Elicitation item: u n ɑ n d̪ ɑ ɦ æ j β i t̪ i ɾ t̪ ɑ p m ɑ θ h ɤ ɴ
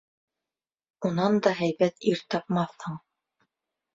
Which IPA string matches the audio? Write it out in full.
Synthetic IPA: u n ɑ n d̪ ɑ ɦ æ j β æ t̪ i ɾ t̪ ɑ p m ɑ θ h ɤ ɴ